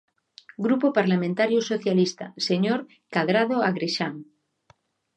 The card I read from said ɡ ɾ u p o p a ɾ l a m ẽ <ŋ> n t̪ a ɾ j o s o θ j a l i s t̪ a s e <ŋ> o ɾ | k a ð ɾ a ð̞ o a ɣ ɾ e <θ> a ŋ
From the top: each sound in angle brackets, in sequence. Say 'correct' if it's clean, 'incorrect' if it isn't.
incorrect: none, incorrect: ɲ, incorrect: ʃ

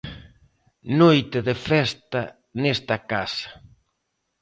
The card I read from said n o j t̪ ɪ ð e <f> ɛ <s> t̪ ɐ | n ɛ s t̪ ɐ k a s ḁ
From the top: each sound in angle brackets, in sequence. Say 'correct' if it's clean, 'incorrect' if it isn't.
correct, correct

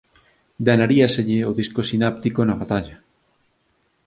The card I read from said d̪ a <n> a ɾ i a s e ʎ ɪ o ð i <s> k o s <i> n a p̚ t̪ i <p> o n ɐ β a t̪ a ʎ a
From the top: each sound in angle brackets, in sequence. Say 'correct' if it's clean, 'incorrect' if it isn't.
correct, correct, correct, incorrect: k

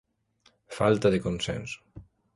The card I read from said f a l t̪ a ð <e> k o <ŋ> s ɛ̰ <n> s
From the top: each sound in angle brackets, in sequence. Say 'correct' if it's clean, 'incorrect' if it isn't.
correct, incorrect: n, correct

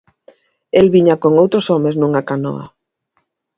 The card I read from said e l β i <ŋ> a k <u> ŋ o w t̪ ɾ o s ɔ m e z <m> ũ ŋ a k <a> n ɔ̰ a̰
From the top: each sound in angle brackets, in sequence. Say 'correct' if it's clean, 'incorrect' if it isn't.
incorrect: ɲ, incorrect: o, incorrect: n, correct

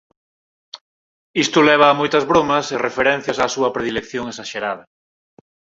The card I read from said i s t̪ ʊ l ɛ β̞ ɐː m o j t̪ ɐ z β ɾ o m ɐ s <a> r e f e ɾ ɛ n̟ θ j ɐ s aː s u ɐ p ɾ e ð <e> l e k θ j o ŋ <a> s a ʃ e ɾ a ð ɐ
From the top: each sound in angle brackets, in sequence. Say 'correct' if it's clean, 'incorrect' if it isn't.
incorrect: e, incorrect: i, incorrect: e

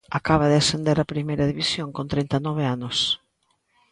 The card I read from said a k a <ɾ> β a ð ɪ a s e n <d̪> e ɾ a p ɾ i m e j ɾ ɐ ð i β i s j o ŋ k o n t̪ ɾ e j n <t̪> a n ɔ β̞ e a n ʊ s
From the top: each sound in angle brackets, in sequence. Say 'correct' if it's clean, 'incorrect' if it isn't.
incorrect: none, correct, correct

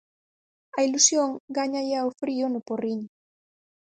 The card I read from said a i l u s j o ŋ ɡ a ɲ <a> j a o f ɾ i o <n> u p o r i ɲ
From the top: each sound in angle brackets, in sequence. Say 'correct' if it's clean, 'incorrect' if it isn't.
correct, correct

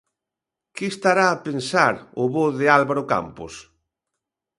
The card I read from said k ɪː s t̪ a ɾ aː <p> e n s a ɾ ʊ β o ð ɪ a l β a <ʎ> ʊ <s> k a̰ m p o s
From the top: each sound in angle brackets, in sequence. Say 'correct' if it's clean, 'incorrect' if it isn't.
correct, incorrect: ɾ, incorrect: none

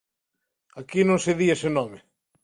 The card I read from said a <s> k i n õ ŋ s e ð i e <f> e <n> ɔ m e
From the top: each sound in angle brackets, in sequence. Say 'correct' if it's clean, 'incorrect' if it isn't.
incorrect: none, incorrect: s, correct

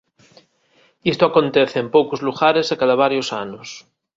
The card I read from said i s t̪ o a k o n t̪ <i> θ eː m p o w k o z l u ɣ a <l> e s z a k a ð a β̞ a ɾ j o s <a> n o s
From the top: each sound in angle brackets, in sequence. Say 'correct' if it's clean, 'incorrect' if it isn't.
incorrect: e, incorrect: ɾ, correct

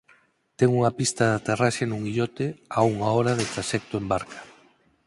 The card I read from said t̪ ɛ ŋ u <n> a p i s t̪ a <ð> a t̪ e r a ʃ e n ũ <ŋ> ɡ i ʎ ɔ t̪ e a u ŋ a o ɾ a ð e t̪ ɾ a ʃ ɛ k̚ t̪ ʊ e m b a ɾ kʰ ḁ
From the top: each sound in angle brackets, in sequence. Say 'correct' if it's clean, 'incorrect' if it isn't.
incorrect: ŋ, correct, correct

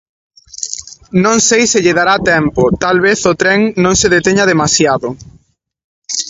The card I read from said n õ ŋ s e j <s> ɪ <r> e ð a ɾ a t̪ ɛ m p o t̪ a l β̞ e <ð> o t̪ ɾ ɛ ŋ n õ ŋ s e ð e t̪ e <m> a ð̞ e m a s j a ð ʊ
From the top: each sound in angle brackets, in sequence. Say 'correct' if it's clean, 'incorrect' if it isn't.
correct, incorrect: ʎ, incorrect: θ, incorrect: ɲ

